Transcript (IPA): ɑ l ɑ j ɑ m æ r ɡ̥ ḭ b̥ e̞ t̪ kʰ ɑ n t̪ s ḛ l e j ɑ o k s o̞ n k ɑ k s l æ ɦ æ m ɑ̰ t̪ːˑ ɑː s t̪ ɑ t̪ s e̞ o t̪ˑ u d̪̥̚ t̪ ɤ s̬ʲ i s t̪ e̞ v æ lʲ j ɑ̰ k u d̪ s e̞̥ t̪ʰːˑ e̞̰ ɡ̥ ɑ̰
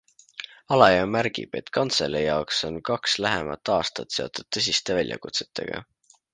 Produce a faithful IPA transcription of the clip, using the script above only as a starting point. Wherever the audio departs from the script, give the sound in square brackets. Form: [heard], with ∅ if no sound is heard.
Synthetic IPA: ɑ l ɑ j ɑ m æ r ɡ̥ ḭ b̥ e̞ t̪ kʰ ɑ n t̪ s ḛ l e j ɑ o k s o̞ n k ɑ k s l æ ɦ [e] m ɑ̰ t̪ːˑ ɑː s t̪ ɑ t̪ s e̞ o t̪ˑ u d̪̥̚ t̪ ɤ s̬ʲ i s t̪ e̞ v æ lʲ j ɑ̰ k u [t̪] s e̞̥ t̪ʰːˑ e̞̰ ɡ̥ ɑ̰